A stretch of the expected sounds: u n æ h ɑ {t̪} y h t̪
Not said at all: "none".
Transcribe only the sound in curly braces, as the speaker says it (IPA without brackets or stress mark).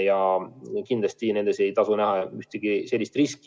none